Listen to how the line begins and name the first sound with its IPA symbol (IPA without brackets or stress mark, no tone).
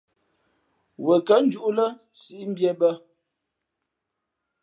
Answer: w